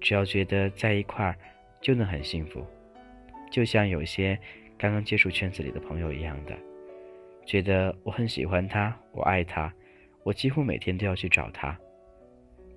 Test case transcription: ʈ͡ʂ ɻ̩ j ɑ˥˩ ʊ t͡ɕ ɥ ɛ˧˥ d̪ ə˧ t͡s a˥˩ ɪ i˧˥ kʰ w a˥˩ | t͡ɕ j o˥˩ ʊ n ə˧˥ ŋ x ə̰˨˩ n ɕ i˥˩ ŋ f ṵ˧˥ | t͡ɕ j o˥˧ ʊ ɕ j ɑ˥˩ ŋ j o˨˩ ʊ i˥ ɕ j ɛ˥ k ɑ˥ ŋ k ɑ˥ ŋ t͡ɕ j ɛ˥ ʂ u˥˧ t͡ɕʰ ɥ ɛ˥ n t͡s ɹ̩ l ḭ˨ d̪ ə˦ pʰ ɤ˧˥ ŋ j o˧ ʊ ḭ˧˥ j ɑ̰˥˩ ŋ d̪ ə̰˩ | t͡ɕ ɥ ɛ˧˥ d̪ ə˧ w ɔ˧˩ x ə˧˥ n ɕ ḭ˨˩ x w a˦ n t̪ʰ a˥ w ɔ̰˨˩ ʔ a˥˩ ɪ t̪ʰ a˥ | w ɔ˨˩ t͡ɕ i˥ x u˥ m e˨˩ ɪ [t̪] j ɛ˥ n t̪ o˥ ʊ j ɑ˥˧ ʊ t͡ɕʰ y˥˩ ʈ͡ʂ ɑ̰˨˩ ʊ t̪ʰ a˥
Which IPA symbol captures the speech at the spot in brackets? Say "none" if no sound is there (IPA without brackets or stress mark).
t̪ʰ